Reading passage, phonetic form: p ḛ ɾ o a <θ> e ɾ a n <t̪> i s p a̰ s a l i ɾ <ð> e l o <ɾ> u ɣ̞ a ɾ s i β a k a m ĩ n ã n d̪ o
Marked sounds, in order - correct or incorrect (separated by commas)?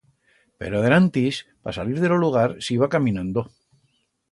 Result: incorrect, correct, correct, incorrect